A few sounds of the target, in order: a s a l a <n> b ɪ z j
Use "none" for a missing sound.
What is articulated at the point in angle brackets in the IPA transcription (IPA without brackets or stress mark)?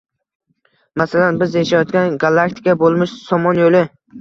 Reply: n